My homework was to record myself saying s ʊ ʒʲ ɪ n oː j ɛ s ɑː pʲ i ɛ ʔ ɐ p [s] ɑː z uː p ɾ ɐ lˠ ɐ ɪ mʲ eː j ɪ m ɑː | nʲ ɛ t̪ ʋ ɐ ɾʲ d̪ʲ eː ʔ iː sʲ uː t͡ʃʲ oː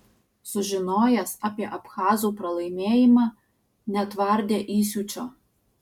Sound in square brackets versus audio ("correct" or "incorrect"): incorrect